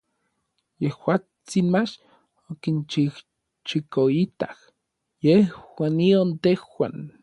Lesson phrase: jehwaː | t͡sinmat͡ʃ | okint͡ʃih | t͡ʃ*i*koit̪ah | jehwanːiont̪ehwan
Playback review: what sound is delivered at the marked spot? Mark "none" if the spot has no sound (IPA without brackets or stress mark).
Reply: i